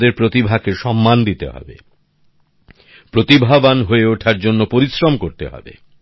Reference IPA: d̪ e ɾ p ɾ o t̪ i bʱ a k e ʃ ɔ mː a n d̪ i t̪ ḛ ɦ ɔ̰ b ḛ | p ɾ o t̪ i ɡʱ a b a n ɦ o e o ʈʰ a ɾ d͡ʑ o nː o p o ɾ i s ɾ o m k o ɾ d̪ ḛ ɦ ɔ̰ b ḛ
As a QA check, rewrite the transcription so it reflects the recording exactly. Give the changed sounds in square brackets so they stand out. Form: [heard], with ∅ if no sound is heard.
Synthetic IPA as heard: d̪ e ɾ p ɾ o t̪ i bʱ a k e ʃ ɔ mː a n d̪ i t̪ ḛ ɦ ɔ̰ b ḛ | p ɾ o t̪ i [bʱ] a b a n ɦ o e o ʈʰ a ɾ d͡ʑ o nː o p o ɾ i s ɾ o m k o ɾ [t̪] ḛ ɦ ɔ̰ b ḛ